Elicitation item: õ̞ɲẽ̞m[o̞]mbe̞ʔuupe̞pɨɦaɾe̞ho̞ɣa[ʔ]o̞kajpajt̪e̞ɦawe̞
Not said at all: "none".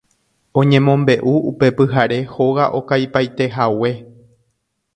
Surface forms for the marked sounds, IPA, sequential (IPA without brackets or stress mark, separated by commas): õ̞, ʔ